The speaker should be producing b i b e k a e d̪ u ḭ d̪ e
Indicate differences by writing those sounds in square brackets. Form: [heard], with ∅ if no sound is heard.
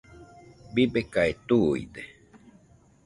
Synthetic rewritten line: b i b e k a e [t̪] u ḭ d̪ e